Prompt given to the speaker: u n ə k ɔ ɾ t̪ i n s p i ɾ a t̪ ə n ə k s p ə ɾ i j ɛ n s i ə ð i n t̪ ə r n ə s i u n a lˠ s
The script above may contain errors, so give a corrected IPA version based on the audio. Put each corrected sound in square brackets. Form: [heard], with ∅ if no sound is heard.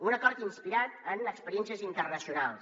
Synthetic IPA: u n ə k ɔ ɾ t̪ i n s p i ɾ a t̪ ə n ə k s p ə ɾ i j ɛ n s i ə [z] i n t̪ ə r n ə s i u n a lˠ s